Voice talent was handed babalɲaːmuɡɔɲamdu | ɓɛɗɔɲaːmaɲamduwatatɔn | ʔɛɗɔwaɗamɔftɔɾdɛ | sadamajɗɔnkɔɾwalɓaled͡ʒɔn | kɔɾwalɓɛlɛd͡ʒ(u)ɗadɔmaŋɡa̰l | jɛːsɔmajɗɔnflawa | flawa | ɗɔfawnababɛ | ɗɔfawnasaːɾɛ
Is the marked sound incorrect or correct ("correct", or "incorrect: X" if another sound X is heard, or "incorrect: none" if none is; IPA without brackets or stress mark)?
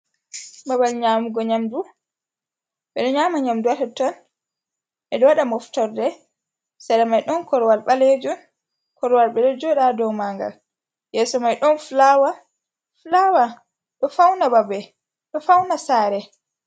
incorrect: ɔ